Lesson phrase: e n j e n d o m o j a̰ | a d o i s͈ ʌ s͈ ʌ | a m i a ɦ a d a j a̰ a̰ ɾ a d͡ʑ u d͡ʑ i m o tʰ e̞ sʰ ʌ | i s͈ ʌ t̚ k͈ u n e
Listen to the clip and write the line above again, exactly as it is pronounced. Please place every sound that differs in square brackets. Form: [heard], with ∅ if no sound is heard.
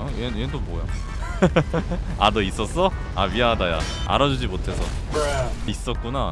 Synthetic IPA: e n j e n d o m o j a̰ | a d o i s͈ ʌ s͈ ʌ | a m i a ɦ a d a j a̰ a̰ ɾ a d͡ʑ u d͡ʑ i m o tʰ e̞ sʰ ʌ | i s͈ ʌ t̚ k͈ u n [a]